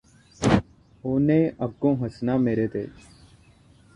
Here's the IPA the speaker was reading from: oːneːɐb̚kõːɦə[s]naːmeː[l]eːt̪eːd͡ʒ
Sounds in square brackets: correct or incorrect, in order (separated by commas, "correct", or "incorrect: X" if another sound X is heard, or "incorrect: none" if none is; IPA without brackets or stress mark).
correct, incorrect: ɾ